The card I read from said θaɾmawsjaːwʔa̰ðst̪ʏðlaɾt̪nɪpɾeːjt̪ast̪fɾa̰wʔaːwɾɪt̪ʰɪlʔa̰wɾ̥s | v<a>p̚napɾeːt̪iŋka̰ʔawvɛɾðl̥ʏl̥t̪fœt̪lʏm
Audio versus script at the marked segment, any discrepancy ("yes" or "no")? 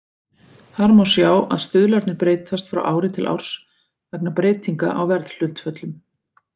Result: yes